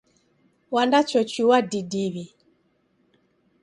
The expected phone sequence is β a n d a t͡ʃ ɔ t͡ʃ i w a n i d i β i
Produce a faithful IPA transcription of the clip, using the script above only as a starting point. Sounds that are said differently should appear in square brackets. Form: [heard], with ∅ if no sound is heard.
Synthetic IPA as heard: [w] a n d a t͡ʃ ɔ t͡ʃ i w a [d] i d i β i